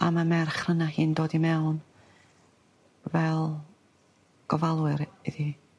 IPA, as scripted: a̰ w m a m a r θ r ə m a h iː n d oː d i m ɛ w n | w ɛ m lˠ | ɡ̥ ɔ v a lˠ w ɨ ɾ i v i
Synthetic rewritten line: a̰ m a m ɛ r χ r ə n a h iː n d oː d i m ɛ w n | v ɛ lˠ | ɡ̥ ɔ v a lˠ w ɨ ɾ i ð i